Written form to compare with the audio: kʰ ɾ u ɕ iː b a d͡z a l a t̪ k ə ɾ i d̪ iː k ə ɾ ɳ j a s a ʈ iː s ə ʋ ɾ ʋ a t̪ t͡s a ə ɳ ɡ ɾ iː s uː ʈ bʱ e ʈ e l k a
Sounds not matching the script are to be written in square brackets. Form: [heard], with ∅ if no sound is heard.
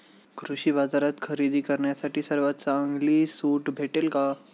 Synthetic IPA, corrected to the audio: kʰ ɾ u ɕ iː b a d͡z a [ɾ] a t̪ [kʰ] ə ɾ i d̪ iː k ə ɾ ɳ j a s a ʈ iː s ə [∅] ɾ ʋ a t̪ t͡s a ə [ŋ] ɡ [l] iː s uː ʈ bʱ e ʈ e l k a